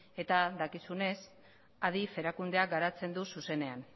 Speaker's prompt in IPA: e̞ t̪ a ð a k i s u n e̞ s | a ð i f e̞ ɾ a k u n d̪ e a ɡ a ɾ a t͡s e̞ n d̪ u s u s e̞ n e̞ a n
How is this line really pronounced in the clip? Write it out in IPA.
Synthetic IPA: e̞ t̪ a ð a k i s u n e̞ s | a ð i f e̞ ɾ a k u n d̪ e a ɡ a ɾ a t͡s e̞ n d̪ u s u s e̞ n e̞ a n